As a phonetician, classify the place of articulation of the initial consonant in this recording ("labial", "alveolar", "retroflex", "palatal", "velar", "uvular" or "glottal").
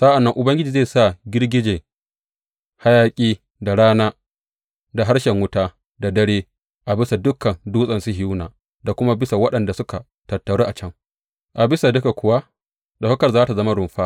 alveolar